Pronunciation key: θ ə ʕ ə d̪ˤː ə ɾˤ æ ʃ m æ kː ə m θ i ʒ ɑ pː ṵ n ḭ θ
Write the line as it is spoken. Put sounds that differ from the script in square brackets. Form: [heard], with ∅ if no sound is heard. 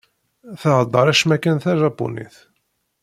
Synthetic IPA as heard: θ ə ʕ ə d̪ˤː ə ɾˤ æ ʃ m æ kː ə [n] θ [æ] ʒ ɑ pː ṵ n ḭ θ